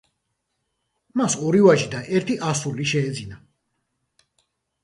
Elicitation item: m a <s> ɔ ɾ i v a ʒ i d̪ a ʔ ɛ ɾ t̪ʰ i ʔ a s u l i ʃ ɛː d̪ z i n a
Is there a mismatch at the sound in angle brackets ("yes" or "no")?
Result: no